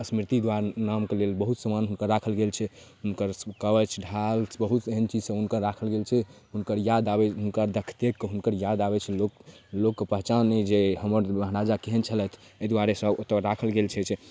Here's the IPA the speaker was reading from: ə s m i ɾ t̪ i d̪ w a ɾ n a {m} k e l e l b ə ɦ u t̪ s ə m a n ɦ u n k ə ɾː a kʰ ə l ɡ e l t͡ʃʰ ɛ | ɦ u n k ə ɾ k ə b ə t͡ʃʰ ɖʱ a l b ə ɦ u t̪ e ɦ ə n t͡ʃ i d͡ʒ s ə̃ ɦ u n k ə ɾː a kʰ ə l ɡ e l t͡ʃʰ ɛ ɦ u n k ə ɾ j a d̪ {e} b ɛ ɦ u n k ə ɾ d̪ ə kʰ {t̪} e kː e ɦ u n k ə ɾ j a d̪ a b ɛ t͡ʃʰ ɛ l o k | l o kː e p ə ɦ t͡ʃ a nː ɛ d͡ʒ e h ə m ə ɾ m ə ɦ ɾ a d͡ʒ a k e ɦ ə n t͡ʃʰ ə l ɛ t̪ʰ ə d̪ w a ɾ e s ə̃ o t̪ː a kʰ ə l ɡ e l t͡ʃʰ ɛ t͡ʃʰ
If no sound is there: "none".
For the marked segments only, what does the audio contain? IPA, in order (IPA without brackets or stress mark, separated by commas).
m, a, t̪